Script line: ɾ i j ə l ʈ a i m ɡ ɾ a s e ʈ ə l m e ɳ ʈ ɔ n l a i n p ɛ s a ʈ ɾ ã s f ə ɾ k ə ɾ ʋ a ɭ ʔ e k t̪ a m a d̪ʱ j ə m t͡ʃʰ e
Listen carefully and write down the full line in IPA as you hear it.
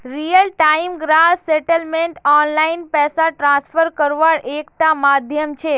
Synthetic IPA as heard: ɾ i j ə l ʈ a i m ɡ ɾ a s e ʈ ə l m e ɳ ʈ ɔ n l a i n p ɛ s a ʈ ɾ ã s f ə ɾ k ə ɾ ʋ a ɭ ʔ e k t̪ a m a d̪ʱ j ə m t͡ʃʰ e